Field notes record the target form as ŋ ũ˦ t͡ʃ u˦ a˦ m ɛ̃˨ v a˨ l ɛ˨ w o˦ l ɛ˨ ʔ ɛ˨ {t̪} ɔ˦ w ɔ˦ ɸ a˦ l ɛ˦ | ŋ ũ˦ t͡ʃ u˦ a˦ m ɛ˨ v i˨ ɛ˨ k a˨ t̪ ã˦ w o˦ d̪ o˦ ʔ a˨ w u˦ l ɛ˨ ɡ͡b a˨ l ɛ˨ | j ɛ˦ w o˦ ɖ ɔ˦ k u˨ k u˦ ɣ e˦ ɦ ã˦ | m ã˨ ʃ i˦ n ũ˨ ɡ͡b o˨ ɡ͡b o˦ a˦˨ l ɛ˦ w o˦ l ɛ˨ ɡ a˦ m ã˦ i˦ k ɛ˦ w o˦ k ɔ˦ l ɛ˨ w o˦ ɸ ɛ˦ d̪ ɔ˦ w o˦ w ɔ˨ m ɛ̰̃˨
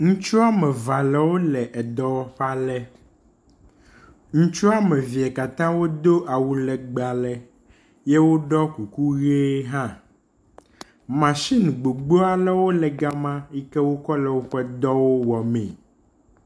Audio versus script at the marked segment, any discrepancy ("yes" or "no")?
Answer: yes